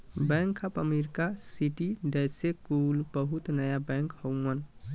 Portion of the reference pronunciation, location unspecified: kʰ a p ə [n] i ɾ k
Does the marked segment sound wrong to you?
yes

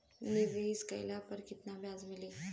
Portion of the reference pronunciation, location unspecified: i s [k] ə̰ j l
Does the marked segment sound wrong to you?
no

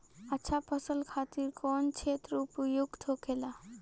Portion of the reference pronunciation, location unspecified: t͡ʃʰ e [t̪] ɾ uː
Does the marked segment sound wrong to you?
no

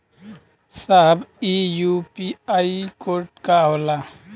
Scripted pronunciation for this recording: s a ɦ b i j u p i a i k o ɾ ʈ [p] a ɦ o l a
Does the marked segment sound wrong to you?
yes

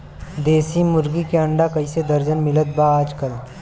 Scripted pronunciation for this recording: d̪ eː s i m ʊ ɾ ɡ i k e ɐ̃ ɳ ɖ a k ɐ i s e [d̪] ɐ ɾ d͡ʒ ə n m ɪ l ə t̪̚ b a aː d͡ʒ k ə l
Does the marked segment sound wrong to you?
no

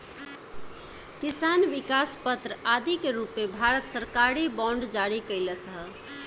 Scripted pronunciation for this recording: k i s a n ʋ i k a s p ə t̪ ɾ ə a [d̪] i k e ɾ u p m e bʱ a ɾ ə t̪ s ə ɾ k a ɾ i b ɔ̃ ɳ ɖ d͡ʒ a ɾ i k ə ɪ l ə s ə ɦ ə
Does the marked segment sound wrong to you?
no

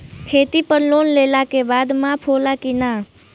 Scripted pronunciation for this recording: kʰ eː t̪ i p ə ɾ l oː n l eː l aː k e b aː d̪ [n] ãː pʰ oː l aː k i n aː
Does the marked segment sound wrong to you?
yes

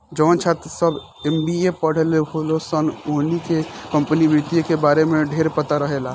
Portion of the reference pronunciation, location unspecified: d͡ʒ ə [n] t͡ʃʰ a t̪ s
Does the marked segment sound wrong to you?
no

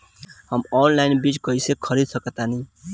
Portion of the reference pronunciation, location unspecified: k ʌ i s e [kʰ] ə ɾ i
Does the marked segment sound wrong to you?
no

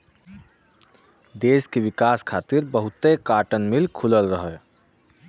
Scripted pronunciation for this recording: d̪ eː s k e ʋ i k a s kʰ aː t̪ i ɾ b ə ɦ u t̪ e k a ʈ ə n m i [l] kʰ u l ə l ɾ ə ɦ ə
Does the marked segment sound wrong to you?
no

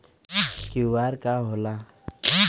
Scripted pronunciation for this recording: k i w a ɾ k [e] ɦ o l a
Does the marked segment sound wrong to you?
yes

